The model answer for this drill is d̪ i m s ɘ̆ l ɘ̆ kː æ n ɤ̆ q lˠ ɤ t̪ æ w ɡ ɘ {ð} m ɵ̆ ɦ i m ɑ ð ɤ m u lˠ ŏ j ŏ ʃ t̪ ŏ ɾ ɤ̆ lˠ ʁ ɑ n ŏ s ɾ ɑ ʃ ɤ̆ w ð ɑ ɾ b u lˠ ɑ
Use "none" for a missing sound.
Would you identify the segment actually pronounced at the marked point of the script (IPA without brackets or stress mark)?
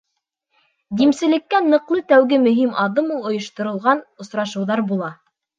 none